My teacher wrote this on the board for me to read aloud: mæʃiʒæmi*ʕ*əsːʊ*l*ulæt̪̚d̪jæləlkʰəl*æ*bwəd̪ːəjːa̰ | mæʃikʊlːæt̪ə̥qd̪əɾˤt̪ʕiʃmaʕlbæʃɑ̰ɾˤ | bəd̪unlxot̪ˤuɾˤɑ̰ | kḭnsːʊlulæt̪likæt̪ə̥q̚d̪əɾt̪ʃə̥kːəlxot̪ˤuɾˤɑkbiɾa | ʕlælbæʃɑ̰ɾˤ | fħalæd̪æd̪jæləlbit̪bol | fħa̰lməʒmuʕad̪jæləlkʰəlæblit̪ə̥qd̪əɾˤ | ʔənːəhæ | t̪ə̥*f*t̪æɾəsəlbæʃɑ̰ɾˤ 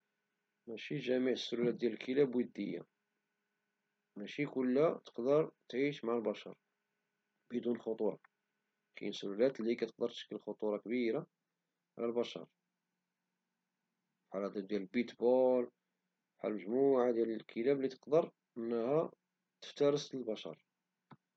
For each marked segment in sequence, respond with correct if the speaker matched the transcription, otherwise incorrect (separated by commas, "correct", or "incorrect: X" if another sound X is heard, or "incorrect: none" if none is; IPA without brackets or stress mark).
correct, correct, correct, correct